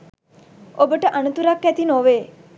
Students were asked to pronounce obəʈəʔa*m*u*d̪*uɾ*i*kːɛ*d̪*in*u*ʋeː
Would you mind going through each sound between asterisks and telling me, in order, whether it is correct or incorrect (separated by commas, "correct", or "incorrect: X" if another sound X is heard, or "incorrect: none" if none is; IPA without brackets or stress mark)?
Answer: incorrect: n, incorrect: t̪, incorrect: a, incorrect: t̪, incorrect: o